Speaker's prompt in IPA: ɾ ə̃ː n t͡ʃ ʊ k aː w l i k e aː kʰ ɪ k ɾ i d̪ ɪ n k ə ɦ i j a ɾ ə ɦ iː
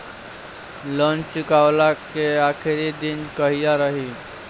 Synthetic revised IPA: l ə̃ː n t͡ʃ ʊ k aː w l a k e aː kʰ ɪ ɾ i d̪ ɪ n k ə ɦ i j a ɾ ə ɦ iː